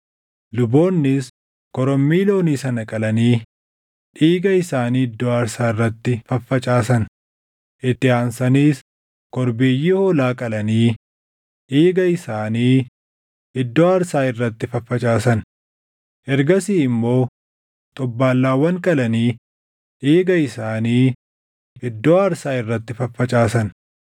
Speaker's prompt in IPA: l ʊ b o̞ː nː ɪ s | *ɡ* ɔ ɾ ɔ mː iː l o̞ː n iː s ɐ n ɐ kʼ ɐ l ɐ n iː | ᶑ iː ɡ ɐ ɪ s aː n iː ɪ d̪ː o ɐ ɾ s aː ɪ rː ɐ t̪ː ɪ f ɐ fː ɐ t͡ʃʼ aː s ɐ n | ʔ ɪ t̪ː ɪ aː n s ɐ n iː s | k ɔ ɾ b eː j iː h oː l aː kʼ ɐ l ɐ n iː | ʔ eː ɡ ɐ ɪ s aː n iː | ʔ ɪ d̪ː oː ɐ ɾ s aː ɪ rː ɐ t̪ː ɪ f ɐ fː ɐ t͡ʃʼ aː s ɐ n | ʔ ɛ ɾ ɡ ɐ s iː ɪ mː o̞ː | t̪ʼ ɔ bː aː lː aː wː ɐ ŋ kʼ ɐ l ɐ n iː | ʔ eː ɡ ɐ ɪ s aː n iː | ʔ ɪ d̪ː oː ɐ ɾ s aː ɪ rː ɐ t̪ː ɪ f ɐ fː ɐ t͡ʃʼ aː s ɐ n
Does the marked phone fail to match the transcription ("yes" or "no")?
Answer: yes